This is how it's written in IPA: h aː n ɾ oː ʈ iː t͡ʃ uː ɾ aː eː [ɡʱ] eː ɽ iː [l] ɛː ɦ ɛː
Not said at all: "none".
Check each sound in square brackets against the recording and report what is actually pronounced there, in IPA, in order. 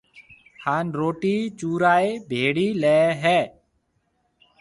bʱ, l

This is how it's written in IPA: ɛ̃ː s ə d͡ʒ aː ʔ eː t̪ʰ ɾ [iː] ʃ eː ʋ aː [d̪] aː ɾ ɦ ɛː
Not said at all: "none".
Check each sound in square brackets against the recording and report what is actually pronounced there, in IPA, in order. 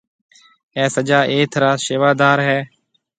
aː, d̪

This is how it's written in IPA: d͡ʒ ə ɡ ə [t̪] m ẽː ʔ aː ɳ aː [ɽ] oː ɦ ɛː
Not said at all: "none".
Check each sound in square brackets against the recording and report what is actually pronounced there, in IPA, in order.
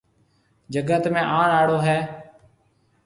t̪, ɽ

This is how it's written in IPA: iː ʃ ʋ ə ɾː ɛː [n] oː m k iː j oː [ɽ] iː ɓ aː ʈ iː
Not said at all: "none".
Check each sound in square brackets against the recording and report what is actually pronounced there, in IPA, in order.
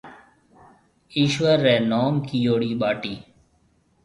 n, ɽ

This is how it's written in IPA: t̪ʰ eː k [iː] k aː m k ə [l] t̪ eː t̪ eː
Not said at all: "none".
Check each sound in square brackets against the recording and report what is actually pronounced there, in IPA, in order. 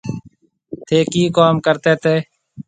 iː, ɾ

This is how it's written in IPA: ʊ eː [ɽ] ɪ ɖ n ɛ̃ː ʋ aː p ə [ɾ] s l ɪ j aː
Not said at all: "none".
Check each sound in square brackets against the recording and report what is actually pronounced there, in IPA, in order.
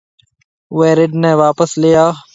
ɾ, none

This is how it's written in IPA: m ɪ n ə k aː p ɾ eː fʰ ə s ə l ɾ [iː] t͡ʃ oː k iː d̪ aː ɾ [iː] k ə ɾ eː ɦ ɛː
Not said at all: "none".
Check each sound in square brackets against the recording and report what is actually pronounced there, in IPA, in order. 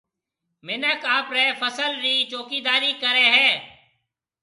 iː, iː

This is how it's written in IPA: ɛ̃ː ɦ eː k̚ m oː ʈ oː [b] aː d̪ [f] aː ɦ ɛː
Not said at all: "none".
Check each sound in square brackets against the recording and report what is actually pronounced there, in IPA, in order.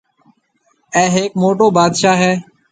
b, ʃ

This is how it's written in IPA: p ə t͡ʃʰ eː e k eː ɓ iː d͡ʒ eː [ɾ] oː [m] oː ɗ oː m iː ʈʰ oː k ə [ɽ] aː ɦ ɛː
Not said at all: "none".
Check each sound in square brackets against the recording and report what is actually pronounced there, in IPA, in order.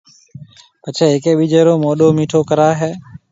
ɾ, m, ɾ

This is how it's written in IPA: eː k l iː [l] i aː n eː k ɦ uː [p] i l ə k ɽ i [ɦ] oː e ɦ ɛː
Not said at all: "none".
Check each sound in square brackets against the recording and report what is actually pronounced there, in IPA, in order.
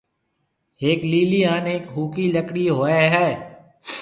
l, k, ɦ

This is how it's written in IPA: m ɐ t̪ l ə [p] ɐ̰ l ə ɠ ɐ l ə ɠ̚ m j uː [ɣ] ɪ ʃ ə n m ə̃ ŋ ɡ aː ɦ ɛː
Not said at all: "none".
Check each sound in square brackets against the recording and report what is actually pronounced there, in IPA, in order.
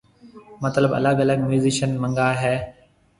b, z

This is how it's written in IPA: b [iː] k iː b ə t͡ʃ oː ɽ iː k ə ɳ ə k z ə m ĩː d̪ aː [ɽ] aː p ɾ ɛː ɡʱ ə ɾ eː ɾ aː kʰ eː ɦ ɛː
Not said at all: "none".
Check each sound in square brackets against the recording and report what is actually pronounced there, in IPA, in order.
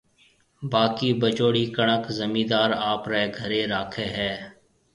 aː, ɾ

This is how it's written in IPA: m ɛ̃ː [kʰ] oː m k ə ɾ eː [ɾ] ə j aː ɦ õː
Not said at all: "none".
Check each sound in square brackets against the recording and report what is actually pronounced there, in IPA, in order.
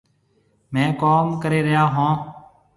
k, ɾ

